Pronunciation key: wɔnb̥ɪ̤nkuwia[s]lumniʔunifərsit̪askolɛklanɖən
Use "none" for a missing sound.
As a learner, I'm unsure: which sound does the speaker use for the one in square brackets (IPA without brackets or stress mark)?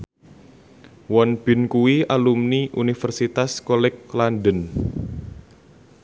none